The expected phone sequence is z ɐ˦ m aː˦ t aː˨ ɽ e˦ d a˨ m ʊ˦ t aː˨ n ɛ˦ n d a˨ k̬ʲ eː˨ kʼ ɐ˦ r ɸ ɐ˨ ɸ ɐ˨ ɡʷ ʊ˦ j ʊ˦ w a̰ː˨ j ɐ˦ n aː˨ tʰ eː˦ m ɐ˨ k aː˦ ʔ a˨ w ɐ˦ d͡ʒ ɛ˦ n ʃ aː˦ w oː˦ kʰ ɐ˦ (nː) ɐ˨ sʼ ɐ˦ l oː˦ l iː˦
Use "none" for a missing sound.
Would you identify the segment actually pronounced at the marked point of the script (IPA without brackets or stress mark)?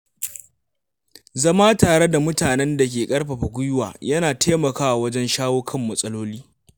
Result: mː